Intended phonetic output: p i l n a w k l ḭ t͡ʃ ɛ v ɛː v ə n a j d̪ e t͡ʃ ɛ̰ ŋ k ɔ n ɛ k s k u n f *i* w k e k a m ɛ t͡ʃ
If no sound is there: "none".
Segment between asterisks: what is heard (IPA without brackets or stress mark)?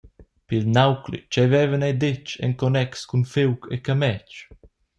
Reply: e